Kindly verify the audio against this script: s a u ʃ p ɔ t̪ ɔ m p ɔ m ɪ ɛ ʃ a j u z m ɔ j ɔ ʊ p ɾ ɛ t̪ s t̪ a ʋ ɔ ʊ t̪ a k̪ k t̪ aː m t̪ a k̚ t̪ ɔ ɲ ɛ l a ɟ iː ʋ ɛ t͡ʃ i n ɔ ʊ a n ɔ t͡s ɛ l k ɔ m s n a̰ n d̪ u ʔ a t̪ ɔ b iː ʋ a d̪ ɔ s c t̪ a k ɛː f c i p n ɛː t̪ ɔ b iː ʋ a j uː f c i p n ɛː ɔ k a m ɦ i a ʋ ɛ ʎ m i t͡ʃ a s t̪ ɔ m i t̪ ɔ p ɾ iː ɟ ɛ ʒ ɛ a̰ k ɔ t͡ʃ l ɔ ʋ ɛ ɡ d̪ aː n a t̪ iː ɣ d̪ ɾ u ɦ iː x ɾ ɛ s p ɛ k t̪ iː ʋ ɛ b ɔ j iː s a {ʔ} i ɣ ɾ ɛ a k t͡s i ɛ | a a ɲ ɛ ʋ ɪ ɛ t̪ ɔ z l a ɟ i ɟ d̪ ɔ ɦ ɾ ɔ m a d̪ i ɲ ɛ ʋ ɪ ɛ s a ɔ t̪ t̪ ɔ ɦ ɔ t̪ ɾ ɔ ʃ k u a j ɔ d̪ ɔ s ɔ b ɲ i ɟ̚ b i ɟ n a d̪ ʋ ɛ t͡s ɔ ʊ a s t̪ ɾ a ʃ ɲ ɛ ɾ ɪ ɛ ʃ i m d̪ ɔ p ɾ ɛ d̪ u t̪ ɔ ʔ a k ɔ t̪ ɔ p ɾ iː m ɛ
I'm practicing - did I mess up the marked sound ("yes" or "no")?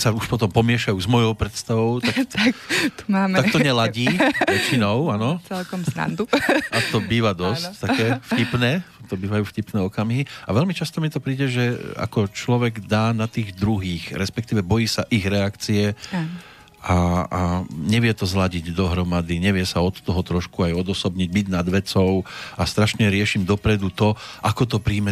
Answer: no